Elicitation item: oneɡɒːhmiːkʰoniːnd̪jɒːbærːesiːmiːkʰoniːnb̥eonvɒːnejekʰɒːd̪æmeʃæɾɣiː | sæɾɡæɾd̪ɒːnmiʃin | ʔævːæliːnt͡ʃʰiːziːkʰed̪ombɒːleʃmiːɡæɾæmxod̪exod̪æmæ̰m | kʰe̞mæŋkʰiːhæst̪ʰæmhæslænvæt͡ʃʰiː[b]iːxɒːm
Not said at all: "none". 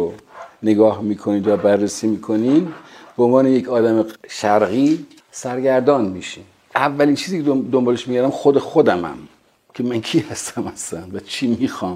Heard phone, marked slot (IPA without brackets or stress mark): m